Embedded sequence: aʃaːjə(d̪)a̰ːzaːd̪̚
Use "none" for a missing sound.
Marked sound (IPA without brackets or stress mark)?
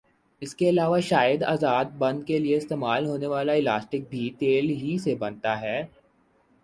d̪